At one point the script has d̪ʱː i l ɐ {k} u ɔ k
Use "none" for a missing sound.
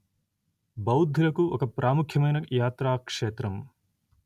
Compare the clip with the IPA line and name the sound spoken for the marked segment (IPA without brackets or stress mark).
k